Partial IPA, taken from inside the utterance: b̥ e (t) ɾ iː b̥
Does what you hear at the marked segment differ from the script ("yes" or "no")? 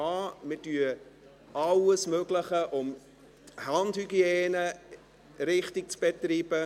no